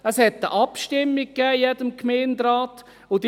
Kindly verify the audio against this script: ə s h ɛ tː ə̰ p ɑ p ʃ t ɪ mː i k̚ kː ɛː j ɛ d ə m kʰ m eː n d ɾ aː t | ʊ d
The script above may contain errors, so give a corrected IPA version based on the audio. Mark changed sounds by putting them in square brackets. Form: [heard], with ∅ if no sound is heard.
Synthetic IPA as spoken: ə s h ɛ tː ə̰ [ʔ] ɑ p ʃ t ɪ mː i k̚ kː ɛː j ɛ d ə m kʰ m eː n d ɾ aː t | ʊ d